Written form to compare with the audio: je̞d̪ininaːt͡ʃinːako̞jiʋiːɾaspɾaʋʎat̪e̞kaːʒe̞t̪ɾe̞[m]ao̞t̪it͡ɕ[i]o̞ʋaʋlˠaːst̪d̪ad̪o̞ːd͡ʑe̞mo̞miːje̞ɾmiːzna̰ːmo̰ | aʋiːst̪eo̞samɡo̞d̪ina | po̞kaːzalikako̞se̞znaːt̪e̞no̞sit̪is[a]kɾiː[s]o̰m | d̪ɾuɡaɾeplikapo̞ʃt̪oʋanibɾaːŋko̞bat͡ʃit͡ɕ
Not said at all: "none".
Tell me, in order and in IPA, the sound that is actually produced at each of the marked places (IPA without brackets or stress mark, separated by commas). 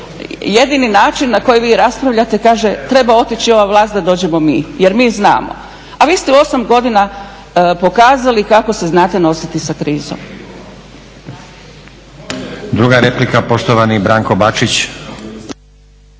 b, i, a, z